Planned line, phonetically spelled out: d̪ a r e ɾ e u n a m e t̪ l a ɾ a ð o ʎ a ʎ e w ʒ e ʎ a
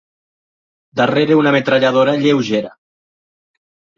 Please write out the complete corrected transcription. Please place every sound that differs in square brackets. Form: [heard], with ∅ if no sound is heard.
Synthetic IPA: d̪ a r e ɾ e u n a m e t̪ [ɾ] a [ʎ] a ð o [ɾ] a ʎ e w ʒ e [ɾ] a